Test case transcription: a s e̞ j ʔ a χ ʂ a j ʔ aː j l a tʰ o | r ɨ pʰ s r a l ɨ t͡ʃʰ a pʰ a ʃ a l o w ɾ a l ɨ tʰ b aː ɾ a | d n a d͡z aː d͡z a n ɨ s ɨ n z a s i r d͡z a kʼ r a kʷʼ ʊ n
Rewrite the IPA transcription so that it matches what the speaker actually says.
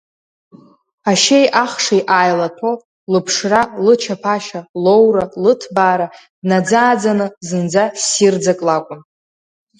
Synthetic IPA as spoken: a ʃ e̞ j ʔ a χ ʂ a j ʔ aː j l a tʰ o | l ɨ pʰ ʂ r a l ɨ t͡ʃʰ a pʰ a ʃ a l o w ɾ a l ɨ tʰ b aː ɾ a | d n a d͡z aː d͡z a n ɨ z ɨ n d͡z a s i r d͡z a kʼ l a kʷʼ ʊ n